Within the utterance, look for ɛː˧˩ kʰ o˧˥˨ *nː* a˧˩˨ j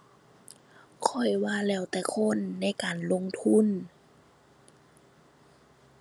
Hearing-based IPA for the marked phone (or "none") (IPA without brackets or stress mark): nː